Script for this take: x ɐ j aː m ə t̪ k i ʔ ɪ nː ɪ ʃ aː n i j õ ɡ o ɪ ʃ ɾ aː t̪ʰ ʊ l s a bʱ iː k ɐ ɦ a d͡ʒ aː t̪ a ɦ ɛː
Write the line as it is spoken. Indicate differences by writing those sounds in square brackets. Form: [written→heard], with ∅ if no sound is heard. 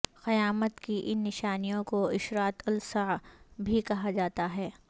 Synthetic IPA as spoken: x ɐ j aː m ə t̪ k i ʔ ɪ nː ɪ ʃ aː n i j õ [ɡ→k] o ɪ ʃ ɾ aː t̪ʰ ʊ l s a bʱ [iː→i] k ɐ ɦ a d͡ʒ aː t̪ a ɦ ɛː